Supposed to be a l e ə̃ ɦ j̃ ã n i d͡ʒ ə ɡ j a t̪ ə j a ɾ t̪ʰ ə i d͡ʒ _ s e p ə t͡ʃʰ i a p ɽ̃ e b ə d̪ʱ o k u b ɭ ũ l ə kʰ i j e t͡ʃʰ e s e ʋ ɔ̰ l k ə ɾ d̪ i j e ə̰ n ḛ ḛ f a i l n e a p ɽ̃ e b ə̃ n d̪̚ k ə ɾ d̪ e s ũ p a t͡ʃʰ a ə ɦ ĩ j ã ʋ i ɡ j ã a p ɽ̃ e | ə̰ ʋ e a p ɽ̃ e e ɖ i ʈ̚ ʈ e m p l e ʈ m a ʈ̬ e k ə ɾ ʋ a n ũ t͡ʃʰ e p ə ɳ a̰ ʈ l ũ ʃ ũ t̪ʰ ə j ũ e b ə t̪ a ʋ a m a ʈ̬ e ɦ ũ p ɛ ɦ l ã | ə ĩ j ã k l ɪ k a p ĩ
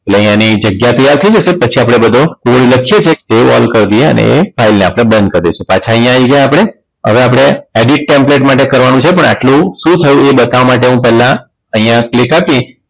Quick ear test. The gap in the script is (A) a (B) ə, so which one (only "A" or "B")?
B